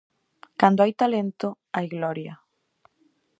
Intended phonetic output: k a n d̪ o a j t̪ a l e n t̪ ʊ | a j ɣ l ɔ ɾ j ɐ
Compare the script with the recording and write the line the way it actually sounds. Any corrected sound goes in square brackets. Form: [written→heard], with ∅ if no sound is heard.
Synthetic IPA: k a n d̪ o a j t̪ a l e n t̪ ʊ | a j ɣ l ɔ ɾ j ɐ